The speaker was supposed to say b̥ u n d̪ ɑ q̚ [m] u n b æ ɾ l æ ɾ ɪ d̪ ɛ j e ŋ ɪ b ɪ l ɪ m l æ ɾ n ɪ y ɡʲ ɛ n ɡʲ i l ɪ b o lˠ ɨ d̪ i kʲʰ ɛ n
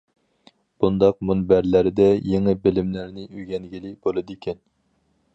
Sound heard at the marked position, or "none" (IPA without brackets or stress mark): m